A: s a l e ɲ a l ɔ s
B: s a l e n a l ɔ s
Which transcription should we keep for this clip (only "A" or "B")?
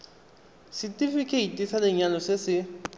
A